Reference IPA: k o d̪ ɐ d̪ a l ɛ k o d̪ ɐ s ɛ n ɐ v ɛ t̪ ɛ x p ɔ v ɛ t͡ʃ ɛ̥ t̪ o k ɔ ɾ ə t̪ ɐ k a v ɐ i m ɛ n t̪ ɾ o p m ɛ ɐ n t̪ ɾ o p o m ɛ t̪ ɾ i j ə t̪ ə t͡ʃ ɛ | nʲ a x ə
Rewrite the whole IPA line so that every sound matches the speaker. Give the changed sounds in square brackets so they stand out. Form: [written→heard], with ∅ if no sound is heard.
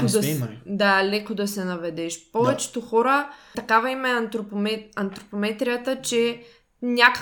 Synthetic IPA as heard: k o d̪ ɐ d̪ a l ɛ k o d̪ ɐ s ɛ n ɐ v ɛ [t̪→d̪] ɛ [x→ʃ] p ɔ v ɛ t͡ʃ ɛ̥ t̪ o [k→x] ɔ ɾ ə t̪ ɐ k a v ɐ i m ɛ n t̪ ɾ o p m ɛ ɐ n t̪ ɾ o p o m ɛ t̪ ɾ i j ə t̪ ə t͡ʃ ɛ | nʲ a [x→k] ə